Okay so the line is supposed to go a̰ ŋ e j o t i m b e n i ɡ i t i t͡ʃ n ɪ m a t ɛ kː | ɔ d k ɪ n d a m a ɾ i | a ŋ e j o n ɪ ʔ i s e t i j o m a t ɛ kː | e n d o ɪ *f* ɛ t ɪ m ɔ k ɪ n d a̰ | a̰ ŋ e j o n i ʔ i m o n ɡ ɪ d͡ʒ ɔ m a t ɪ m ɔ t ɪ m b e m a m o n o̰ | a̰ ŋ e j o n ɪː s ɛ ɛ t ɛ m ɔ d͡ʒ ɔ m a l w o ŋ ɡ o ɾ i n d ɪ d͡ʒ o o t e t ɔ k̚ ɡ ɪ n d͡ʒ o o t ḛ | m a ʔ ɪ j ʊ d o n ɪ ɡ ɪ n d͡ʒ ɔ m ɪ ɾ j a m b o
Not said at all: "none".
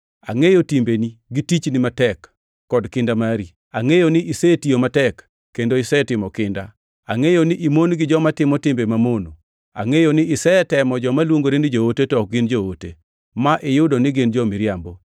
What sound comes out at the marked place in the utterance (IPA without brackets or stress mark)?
s